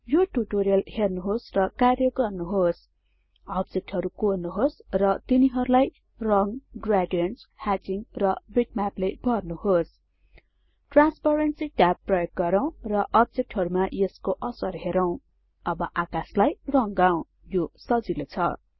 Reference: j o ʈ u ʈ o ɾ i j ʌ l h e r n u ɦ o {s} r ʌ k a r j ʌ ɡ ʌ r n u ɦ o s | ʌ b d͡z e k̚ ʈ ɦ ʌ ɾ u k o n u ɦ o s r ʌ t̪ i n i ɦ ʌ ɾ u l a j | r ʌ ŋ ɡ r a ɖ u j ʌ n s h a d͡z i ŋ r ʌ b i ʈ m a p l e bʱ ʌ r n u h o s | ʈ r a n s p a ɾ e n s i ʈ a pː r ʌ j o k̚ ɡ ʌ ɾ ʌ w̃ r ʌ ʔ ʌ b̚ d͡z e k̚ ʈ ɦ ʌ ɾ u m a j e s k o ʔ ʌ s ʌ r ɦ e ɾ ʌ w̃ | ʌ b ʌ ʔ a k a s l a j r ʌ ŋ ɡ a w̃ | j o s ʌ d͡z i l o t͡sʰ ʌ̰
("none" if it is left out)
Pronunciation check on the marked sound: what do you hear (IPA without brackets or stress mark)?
s